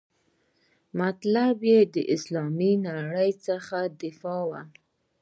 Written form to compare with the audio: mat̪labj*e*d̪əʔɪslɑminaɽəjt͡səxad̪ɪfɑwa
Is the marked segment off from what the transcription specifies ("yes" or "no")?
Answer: no